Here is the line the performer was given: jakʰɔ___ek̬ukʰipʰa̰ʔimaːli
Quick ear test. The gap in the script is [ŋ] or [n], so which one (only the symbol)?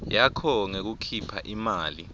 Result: ŋ